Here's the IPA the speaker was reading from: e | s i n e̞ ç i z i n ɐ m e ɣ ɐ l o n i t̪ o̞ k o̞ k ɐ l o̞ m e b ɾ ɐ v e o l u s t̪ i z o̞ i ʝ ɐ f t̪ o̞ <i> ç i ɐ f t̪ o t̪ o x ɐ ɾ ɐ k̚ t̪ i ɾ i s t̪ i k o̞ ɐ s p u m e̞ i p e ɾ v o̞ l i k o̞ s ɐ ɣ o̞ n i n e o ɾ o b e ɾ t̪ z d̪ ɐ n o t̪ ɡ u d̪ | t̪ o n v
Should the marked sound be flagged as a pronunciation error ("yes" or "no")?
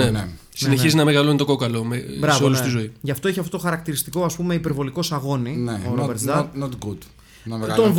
yes